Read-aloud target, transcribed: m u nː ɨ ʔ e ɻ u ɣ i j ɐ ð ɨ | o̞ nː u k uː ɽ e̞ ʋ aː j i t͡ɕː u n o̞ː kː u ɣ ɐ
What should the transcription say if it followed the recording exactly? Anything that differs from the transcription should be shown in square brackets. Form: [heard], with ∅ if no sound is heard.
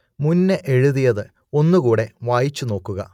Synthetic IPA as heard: m u nː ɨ ʔ e ɻ u [ð] i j ɐ ð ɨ | o̞ nː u k uː ɽ e̞ ʋ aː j i t͡ɕː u n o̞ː kː u ɣ ɐ